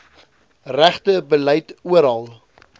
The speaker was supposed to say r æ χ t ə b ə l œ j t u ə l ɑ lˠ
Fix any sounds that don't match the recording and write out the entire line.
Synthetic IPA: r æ χ t ə b ə l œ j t u ə ɾ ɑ lˠ